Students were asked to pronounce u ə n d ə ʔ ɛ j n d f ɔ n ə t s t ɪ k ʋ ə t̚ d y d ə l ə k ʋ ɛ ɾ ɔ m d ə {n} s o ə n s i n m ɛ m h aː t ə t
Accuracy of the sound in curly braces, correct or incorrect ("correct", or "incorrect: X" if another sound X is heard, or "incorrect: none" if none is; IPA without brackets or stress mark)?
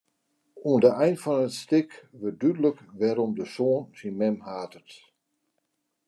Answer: incorrect: none